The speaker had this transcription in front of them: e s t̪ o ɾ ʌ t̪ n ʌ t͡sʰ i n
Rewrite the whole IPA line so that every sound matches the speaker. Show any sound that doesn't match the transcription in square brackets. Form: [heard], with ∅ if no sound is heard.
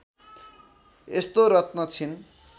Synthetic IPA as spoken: e s t̪ o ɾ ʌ t̪ n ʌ t͡sʰ i n